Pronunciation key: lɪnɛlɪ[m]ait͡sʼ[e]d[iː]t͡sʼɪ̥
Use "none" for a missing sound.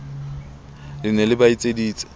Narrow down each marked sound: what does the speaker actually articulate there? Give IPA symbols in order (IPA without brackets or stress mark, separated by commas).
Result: b, e, iː